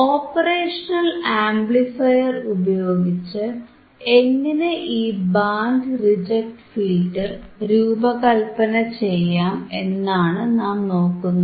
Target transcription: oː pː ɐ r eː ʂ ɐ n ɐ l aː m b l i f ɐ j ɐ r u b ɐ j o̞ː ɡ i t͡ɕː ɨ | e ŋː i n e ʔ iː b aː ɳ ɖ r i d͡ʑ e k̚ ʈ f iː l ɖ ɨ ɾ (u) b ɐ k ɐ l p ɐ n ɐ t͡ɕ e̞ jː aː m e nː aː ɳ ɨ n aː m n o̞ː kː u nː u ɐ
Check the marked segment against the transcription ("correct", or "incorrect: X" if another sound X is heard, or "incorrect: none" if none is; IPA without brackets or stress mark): incorrect: uː